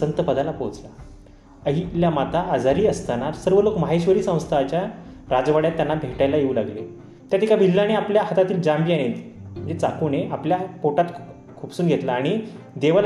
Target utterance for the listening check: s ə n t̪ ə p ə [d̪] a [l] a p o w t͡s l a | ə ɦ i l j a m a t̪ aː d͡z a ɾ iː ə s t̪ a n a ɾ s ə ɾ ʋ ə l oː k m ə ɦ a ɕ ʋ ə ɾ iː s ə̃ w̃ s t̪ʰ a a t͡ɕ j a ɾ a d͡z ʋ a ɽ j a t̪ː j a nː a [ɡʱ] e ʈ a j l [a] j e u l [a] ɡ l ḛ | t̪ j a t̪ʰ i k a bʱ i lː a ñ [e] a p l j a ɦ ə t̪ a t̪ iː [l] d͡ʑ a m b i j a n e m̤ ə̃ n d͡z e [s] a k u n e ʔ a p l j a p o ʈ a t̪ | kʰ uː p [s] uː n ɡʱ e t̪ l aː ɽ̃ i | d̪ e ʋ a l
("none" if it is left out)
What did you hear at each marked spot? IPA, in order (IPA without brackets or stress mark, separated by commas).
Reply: d̪, l, bʱ, a, a, e, l, t͡s, s